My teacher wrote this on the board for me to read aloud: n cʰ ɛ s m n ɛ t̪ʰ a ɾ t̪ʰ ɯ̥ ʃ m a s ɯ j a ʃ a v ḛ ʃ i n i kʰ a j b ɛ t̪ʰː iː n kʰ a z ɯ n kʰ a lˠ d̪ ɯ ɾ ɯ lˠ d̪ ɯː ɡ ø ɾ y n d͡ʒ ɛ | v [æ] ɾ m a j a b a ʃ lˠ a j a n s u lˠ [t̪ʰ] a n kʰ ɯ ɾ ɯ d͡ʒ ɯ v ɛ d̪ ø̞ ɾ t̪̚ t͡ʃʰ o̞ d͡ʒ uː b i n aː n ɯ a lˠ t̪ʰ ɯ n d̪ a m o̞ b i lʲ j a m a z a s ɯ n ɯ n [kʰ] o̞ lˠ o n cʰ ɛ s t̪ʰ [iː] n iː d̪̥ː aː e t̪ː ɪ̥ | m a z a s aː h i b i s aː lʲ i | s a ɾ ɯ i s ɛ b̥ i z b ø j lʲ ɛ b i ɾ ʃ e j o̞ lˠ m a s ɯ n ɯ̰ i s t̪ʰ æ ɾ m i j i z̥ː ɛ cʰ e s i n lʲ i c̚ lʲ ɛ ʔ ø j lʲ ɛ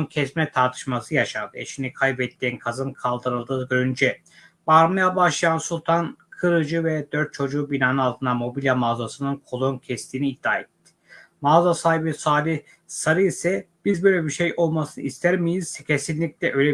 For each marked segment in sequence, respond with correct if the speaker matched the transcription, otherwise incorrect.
incorrect: a, correct, correct, correct

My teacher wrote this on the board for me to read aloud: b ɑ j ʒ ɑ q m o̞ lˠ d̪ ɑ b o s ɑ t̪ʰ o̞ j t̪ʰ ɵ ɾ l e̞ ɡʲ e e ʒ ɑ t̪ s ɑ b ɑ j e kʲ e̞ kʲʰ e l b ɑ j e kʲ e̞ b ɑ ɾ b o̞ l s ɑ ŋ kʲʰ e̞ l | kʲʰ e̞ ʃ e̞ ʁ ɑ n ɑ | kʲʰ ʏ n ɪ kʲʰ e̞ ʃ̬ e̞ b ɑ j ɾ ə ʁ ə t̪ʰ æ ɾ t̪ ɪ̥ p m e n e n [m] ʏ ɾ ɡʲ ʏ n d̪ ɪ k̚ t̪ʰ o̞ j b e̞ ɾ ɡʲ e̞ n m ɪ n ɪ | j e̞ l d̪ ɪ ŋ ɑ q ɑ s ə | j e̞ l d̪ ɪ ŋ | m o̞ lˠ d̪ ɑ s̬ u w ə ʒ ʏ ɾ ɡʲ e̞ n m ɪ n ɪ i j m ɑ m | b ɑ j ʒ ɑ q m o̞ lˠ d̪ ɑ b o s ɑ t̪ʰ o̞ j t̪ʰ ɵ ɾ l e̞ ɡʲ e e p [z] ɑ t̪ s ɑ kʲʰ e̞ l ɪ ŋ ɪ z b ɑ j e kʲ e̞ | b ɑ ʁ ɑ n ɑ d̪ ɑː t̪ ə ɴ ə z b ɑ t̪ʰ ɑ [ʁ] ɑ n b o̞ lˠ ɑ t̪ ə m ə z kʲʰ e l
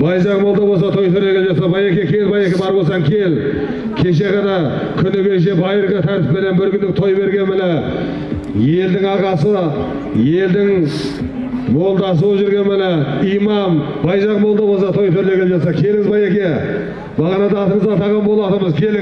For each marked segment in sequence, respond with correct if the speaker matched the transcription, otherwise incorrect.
incorrect: b, incorrect: ʒ, correct

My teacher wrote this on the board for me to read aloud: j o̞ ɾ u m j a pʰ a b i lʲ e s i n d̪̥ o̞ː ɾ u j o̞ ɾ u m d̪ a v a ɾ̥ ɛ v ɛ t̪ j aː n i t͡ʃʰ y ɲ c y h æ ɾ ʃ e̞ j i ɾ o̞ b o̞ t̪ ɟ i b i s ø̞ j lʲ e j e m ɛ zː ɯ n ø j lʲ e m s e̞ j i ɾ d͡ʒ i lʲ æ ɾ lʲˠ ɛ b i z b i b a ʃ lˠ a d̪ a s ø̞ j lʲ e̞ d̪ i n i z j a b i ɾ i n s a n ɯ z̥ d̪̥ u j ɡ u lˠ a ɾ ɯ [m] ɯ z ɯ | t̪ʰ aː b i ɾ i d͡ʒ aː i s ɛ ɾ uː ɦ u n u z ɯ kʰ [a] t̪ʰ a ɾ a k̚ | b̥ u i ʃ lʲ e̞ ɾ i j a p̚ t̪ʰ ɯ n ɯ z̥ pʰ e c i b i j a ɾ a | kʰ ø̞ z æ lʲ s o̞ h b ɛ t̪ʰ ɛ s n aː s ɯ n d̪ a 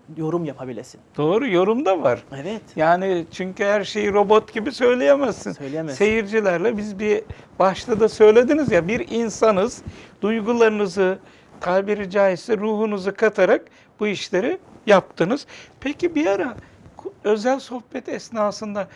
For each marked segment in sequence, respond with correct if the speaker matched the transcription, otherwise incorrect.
incorrect: n, correct

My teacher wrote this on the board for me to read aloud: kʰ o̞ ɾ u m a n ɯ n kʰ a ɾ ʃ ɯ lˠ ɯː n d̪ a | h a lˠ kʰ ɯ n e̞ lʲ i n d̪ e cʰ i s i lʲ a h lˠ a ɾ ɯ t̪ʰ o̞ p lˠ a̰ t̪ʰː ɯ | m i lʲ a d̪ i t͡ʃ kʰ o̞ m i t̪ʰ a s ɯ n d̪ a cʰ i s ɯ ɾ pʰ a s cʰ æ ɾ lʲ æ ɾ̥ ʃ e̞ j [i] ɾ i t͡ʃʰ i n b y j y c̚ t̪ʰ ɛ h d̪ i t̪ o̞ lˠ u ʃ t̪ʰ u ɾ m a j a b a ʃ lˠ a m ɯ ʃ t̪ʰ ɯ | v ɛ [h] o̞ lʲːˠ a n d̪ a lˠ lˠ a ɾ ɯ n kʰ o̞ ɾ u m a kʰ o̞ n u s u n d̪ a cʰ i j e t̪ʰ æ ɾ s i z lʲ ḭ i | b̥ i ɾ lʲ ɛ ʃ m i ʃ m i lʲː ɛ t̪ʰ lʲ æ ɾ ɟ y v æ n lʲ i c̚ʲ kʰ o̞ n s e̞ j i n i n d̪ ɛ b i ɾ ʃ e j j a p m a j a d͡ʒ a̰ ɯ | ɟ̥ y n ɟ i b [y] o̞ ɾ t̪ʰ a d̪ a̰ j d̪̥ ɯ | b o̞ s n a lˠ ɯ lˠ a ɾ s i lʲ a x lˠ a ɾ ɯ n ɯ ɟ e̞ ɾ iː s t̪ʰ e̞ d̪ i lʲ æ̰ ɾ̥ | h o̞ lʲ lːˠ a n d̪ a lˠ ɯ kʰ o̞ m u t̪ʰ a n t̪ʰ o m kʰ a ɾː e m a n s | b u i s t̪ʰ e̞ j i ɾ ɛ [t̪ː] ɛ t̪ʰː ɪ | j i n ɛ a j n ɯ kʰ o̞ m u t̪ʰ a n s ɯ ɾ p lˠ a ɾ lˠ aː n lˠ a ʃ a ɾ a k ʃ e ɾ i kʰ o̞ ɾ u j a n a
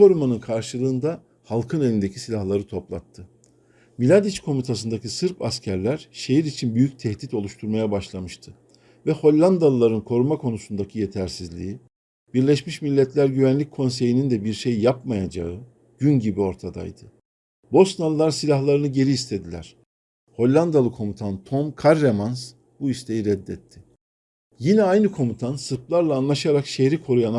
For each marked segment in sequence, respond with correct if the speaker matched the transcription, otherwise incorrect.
correct, correct, incorrect: i, incorrect: d̪ː

